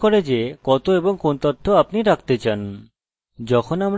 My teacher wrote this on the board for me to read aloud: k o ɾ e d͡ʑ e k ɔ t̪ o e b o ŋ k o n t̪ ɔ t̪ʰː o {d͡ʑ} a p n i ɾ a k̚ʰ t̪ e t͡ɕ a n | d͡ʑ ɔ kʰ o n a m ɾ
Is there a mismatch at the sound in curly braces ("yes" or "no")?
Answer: yes